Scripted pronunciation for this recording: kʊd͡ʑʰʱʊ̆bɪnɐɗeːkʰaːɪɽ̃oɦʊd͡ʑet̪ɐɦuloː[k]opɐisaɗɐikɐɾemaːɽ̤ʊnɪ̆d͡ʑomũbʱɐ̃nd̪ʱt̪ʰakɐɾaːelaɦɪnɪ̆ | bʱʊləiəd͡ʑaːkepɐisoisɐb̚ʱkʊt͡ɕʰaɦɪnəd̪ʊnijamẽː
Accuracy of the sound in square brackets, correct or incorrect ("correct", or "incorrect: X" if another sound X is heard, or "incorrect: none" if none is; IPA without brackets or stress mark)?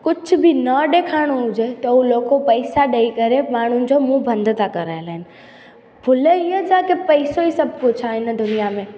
correct